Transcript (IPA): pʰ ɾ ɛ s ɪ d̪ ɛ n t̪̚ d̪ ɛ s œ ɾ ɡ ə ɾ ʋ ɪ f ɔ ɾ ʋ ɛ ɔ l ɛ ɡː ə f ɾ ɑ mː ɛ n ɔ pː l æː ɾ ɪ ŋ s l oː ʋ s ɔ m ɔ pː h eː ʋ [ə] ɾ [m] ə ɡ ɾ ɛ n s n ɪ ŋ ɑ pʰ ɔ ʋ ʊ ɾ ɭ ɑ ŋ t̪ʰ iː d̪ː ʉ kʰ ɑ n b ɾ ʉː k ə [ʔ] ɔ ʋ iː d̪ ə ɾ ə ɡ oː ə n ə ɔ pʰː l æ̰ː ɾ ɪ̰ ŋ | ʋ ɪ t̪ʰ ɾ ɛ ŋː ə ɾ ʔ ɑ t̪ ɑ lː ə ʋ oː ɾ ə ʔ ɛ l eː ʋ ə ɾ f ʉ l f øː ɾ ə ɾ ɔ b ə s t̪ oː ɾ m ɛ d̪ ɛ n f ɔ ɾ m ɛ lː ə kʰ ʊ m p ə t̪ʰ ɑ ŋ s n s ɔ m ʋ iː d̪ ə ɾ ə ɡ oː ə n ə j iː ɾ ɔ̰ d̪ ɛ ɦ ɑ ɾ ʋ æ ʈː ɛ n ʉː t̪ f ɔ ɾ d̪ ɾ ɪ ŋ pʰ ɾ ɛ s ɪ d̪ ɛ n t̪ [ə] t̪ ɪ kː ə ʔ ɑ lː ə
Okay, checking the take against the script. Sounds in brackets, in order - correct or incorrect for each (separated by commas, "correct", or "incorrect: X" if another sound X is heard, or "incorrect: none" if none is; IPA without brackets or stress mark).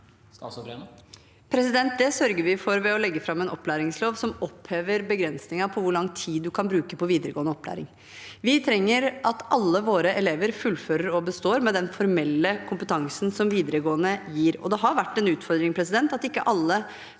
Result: correct, incorrect: b, incorrect: p, incorrect: ɑ